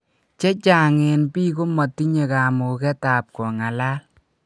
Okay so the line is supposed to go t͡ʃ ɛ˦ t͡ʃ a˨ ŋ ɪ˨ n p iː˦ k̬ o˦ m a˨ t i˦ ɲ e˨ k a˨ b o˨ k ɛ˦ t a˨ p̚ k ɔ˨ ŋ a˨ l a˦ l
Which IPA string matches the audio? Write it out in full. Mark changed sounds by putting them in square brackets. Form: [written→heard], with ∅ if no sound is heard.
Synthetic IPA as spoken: t͡ʃ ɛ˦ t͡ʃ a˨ ŋ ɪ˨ n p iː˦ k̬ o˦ m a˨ t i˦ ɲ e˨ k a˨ [b→m] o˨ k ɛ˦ t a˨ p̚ k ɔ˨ ŋ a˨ l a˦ l

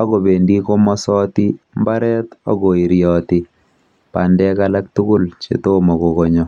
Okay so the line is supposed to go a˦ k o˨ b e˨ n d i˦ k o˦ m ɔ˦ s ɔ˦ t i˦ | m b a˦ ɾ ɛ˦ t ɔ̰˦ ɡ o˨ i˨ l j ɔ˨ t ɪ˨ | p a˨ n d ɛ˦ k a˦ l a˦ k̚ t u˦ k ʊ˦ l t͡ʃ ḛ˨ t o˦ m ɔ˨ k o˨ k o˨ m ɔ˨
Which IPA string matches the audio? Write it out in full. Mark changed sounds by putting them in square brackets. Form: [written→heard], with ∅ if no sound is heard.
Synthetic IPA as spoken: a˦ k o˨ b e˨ n d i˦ k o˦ m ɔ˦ s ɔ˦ t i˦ | m b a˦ ɾ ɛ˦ t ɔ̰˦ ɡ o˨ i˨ [l→ɾ] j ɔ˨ t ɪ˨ | p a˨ n d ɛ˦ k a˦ l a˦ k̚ t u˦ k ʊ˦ l t͡ʃ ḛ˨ t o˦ m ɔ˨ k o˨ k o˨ [m→ɲ] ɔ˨

